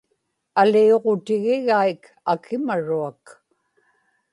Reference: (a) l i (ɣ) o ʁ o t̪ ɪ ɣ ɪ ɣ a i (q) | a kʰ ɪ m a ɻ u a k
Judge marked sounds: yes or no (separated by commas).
yes, no, no